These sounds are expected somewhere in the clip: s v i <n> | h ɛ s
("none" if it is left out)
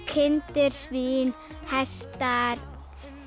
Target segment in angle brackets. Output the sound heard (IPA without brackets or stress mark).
n